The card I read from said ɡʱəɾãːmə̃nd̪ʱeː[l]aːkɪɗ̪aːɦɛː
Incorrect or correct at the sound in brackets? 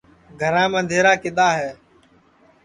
incorrect: ɾ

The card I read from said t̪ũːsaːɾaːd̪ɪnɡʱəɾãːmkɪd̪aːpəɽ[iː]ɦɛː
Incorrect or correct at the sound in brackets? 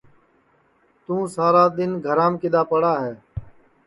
incorrect: aː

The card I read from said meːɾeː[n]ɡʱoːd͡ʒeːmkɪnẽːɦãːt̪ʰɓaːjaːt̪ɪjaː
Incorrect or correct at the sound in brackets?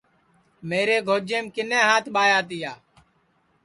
incorrect: none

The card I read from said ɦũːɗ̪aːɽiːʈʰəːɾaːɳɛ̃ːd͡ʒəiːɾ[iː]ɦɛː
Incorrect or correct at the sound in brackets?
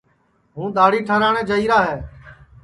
incorrect: aː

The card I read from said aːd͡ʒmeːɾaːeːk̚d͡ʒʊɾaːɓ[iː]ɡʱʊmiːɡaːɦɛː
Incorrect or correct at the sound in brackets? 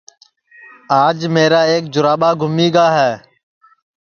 incorrect: aː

